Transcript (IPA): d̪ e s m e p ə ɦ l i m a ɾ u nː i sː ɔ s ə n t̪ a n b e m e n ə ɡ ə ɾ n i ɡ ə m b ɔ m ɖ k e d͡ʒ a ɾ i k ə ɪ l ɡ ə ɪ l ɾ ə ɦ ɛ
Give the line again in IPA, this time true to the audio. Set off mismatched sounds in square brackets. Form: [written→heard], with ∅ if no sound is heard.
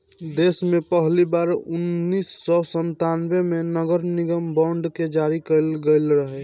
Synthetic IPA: d̪ e s m e p ə ɦ l i [m→b] a ɾ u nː i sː ɔ s ə n t̪ a n b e m e n ə ɡ ə ɾ n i ɡ ə m b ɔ [m→ɳ] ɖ k e d͡ʒ a ɾ i k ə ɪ l ɡ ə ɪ l ɾ ə ɦ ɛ